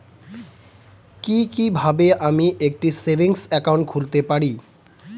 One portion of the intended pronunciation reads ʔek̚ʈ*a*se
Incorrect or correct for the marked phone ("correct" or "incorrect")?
incorrect